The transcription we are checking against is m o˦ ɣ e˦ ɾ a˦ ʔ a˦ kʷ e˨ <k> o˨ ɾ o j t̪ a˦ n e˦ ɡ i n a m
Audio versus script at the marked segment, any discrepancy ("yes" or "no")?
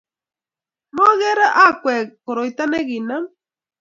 no